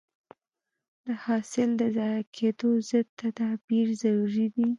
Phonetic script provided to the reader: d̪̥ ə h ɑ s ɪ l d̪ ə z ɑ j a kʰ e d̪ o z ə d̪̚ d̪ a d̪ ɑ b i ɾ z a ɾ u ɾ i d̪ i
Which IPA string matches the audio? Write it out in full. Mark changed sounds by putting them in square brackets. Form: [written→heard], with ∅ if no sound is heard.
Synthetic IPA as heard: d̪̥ ə h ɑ s ɪ l d̪ ə z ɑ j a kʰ e d̪ o z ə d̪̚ [d̪→t̪] a d̪ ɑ b i ɾ z a ɾ u ɾ i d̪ i